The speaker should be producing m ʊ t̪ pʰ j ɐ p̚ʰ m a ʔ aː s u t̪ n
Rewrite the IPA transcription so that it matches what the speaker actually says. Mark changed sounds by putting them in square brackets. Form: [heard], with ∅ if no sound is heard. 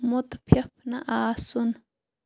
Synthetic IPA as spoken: m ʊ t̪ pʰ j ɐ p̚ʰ [n] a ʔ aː s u [∅] n